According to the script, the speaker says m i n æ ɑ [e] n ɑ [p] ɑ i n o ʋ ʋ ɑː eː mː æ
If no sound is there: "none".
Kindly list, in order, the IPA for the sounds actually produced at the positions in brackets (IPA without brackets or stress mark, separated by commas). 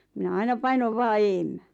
i, p